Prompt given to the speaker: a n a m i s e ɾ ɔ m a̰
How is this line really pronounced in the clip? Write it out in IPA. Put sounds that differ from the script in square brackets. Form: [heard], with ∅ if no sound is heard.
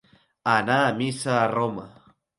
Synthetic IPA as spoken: a n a m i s [a] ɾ [o] m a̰